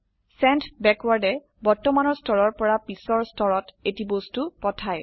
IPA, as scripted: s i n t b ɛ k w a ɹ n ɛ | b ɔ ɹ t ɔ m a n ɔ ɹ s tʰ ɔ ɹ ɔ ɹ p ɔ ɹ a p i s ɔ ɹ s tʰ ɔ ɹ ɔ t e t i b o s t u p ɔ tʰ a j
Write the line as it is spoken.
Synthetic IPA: s ɛ n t b ɛ k w a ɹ d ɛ | b ɔ ɹ t ɔ m a n ɔ ɹ s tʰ ɔ ɹ ɔ ɹ p ɔ ɹ a p i s ɔ ɹ s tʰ ɔ ɹ ɔ t e t i b o s t u p ɔ tʰ a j